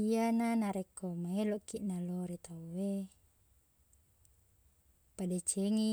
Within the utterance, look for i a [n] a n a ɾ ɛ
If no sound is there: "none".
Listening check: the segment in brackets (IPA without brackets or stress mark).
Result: n